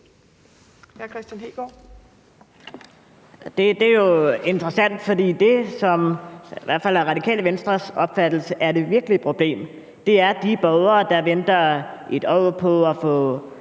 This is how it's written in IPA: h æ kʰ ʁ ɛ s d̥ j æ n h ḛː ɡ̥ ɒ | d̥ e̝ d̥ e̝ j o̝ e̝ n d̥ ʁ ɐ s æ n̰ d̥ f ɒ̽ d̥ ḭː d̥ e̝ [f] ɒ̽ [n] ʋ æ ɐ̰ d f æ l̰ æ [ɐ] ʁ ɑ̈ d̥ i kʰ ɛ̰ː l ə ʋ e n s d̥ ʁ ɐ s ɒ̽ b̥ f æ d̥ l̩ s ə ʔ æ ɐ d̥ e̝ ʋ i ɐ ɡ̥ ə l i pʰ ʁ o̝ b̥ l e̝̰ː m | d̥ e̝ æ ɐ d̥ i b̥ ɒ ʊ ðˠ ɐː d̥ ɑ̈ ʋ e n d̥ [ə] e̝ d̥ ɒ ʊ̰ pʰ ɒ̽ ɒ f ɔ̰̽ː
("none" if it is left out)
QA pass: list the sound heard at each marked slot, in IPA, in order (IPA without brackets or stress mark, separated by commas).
s, m, ɐ, ɐ